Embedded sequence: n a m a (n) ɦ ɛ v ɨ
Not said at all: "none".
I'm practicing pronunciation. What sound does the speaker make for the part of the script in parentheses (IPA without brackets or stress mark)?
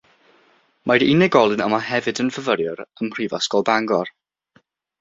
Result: none